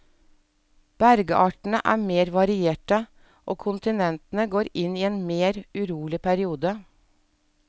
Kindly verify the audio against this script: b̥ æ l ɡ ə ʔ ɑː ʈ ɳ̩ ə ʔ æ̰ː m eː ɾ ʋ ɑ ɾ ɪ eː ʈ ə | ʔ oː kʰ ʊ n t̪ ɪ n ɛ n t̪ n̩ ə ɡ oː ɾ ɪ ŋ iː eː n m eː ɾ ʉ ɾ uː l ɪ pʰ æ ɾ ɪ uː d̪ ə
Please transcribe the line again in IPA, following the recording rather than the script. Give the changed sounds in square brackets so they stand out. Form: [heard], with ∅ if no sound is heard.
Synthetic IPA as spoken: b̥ æ [ɾ] ɡ ə ʔ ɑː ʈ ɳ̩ ə ʔ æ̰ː m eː ɾ ʋ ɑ ɾ ɪ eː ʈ ə | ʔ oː kʰ ʊ n t̪ ɪ n ɛ n t̪ n̩ ə ɡ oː ɾ ɪ [n] iː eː n m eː ɾ ʉ ɾ uː l ɪ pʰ æ ɾ ɪ uː d̪ ə